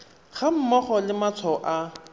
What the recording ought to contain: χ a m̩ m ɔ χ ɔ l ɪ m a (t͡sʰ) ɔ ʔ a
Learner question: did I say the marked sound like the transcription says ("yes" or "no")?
yes